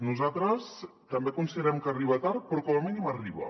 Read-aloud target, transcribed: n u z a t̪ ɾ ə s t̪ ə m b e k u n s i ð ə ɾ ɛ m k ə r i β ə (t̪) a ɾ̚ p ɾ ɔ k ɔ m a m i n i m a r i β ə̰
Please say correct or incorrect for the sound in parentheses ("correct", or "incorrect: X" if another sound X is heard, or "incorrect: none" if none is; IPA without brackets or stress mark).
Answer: correct